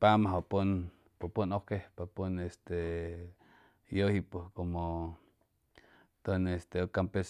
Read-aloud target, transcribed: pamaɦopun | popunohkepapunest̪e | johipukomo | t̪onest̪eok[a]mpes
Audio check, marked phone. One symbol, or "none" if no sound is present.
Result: a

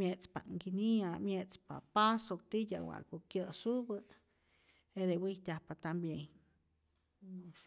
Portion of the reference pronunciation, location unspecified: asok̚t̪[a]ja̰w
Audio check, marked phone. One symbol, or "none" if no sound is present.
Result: i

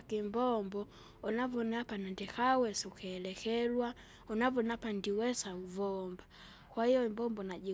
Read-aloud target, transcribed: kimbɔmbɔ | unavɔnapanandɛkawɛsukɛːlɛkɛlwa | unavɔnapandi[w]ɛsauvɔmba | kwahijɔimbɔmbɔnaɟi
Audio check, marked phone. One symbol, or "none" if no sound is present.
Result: w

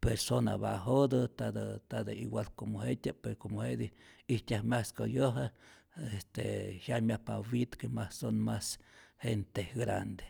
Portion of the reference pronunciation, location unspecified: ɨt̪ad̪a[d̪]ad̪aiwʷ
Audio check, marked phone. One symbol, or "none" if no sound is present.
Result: t̪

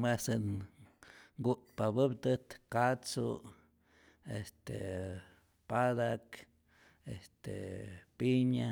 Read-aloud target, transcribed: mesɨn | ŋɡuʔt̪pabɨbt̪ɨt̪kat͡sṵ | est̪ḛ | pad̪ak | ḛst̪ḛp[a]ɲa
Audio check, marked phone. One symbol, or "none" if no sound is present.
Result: i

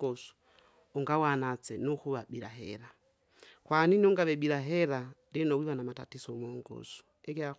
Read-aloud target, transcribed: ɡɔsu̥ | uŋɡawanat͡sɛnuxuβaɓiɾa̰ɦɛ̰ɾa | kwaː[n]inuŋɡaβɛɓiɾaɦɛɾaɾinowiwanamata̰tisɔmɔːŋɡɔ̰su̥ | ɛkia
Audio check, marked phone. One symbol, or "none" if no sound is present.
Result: n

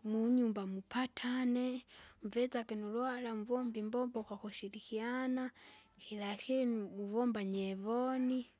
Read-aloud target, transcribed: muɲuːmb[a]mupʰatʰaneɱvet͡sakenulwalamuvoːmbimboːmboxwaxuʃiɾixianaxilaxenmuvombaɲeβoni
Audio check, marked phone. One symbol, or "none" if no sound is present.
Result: a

